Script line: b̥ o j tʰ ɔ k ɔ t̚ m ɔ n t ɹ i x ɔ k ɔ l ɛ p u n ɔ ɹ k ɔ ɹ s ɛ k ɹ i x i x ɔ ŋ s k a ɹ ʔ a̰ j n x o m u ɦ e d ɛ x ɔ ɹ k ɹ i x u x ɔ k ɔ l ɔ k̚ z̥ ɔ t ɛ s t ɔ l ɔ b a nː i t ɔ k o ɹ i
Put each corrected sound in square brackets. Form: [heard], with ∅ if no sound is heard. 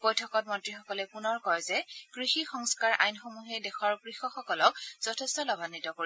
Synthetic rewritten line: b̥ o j tʰ ɔ k ɔ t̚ m ɔ n t ɹ i x ɔ k ɔ l ɛ p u n ɔ ɹ k ɔ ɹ [z] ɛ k ɹ i x i x ɔ ŋ s k a ɹ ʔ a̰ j n x o m u ɦ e d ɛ x ɔ ɹ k ɹ i x [ɔ] x ɔ k ɔ l ɔ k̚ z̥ ɔ [tʰ] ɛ s t ɔ l ɔ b a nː i t ɔ k o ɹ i

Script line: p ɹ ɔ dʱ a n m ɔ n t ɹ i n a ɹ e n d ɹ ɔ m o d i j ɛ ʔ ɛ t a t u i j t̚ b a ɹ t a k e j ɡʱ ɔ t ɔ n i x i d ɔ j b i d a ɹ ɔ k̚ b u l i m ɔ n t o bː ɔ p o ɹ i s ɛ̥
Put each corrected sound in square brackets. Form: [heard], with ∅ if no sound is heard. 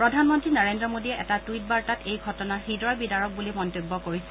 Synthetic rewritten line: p ɹ ɔ dʱ a n m ɔ n t ɹ i n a ɹ e n d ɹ ɔ m o d i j ɛ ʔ ɛ t a t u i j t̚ b a ɹ t a [t] e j ɡʱ ɔ t ɔ n [a] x i d ɔ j b i d a ɹ ɔ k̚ b u l i m ɔ n t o bː ɔ [k] o ɹ i s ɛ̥

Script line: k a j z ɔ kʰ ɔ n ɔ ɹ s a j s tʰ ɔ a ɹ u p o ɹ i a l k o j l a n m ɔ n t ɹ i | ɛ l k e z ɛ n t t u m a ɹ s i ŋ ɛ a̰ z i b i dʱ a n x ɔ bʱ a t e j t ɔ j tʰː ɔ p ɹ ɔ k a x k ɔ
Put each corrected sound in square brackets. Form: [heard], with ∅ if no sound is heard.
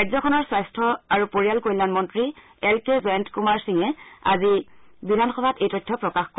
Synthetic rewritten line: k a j z ɔ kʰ ɔ n ɔ ɹ s a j s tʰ ɔ a ɹ u p o ɹ i a l k o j l a n m ɔ n t ɹ i | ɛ l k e z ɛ n t [k] u m a ɹ s i ŋ ɛ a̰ z i b i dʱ a n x ɔ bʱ a t e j t ɔ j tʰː ɔ p ɹ ɔ k a x k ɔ

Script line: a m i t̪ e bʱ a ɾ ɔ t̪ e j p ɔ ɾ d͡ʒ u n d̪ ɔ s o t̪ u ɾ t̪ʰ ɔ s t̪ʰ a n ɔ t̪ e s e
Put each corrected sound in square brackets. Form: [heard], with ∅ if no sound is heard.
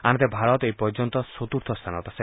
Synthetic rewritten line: a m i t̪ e bʱ a ɾ ɔ t̪ e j p ɔ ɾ d͡ʒ [ɔ] n [t̪] ɔ s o t̪ u ɾ t̪ʰ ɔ s t̪ʰ a n ɔ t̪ [a] s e

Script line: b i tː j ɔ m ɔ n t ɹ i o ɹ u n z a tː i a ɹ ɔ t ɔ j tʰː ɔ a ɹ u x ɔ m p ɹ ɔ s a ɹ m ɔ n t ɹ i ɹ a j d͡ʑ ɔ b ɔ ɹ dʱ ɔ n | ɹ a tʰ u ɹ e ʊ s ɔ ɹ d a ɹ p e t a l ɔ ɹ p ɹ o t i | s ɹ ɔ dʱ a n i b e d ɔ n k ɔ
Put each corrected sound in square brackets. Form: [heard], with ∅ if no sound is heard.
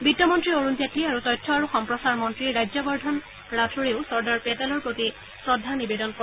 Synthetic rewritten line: b i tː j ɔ m ɔ n t ɹ i o ɹ u n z a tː i a ɹ [u] t ɔ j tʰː ɔ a ɹ u x ɔ m p ɹ ɔ s a ɹ m ɔ n t ɹ i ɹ a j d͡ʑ ɔ b ɔ ɹ dʱ ɔ n | ɹ a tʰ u ɹ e ʊ s ɔ ɹ d a ɹ p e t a l ɔ ɹ p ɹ o t i | s ɹ ɔ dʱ a n i b e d ɔ n k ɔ

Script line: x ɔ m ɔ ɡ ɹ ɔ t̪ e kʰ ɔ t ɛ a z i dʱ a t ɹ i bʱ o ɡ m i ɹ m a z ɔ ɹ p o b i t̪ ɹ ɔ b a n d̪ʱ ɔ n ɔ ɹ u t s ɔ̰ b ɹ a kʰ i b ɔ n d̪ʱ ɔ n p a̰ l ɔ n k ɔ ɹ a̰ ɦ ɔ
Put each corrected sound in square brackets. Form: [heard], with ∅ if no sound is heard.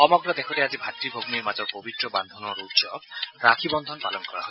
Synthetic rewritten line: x ɔ m ɔ ɡ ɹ ɔ [d̪] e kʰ ɔ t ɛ a z i [bʱ] a t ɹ i bʱ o ɡ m i ɹ m a z ɔ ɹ p o b i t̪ ɹ ɔ b a n d̪ʱ ɔ n ɔ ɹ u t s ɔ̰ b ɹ a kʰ i b ɔ n d̪ʱ ɔ n p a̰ l ɔ n k ɔ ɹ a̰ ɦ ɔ

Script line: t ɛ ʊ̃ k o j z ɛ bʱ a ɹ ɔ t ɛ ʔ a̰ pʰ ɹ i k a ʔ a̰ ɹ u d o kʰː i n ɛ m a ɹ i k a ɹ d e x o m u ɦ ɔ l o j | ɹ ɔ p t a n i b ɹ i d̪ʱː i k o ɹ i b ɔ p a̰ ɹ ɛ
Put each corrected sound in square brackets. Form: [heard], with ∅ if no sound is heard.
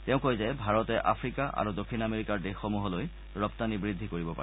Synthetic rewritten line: t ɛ ʊ̃ k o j z ɛ bʱ a ɹ ɔ t ɛ ʔ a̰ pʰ ɹ i k a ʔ a̰ ɹ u d o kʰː i n [a] m [e] ɹ i k a ɹ d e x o m u ɦ ɔ l o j | ɹ ɔ p t a n i b ɹ i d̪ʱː i k o ɹ i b ɔ p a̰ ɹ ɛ

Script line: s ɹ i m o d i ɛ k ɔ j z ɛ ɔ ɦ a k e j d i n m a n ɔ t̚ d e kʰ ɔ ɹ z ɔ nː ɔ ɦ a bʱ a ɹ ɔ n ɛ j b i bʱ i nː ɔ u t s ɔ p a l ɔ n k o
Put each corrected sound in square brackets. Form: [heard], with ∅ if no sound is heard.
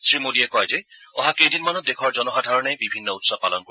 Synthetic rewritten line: s ɹ i m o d i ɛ k ɔ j z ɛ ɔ ɦ a k e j d i n m a n ɔ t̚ d e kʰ ɔ ɹ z ɔ [n] ɔ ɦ a [dʱ] a ɹ ɔ n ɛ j b i bʱ i nː ɔ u t s ɔ p a l ɔ n k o

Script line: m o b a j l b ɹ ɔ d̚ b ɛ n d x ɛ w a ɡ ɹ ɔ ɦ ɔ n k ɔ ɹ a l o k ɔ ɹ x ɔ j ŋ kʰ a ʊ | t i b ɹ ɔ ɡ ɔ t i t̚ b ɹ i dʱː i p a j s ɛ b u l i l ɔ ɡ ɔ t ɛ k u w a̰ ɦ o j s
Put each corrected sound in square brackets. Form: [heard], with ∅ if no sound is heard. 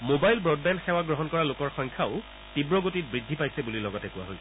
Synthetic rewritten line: m o b a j l b ɹ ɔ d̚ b ɛ n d x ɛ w a ɡ ɹ ɔ ɦ ɔ n k ɔ ɹ a l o k ɔ ɹ x ɔ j ŋ kʰ a ʊ | t i b ɹ ɔ ɡ [o] t i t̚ b ɹ i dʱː i p a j s ɛ b u l i l ɔ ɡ ɔ t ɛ k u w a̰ ɦ o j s

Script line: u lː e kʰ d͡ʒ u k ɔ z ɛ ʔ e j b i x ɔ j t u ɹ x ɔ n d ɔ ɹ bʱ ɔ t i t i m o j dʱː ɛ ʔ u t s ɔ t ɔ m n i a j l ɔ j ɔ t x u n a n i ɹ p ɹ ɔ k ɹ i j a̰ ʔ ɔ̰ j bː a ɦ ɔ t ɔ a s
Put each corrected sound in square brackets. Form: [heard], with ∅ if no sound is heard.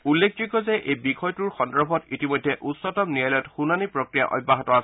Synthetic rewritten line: u lː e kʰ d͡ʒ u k ɔ z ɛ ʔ e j b i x ɔ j t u ɹ x ɔ n d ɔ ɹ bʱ ɔ t i t i m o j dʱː ɛ ʔ u t s ɔ t ɔ m n i a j l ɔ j ɔ t x u n a n i [∅] p ɹ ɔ k ɹ i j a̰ ʔ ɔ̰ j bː a ɦ ɔ t ɔ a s

